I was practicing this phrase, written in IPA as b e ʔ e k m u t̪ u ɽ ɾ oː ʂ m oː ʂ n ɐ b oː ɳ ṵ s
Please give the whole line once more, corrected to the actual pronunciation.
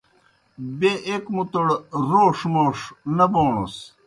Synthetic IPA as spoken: b e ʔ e k m u t̪ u ɽ ɾ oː ʂ m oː ʂ n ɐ b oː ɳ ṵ s

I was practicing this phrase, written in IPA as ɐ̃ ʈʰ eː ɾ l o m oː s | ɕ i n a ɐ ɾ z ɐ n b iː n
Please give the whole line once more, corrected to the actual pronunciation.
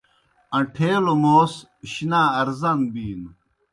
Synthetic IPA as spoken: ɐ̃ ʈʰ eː l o m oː s | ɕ i n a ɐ ɾ z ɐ n b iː n

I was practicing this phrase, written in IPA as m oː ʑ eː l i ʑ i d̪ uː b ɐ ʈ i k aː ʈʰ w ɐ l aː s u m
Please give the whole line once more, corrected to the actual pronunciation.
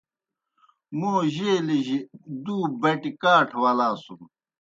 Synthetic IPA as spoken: m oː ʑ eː l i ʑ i d̪ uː b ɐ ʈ i k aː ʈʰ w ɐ l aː s u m

